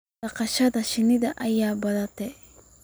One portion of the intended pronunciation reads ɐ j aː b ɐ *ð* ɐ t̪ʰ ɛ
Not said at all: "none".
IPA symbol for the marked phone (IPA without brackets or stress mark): ð